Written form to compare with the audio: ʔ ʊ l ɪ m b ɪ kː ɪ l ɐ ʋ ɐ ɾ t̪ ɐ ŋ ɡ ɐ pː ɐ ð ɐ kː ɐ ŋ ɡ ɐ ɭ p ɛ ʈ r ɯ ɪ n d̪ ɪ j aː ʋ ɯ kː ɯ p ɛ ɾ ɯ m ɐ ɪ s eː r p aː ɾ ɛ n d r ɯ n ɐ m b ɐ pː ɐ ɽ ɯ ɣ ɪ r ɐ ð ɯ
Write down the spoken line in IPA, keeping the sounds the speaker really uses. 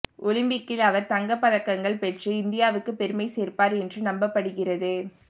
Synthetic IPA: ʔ ʊ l ɪ m b ɪ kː ɪ l ɐ ʋ ɐ ɾ t̪ ɐ ŋ ɡ ɐ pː ɐ ð ɐ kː ɐ ŋ ɡ ɐ ɭ p ɛ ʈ r ɯ ɪ n d̪ ɪ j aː ʋ ɯ kː ɯ p ɛ ɾ ɯ m ɐ ɪ s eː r p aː ɾ ɛ n d r ɯ n ɐ m b ɐ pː ɐ ɽ ɯ ɣ ɪ r ɐ ð ɯ